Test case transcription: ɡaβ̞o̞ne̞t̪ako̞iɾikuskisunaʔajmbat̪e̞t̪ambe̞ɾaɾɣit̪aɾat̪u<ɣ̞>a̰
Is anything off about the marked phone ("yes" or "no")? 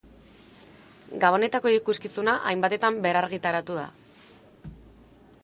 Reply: yes